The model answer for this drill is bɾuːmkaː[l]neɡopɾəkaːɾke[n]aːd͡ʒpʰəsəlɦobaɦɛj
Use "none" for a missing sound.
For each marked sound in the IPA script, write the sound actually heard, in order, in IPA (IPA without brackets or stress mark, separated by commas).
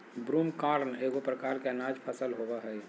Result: ɾ, n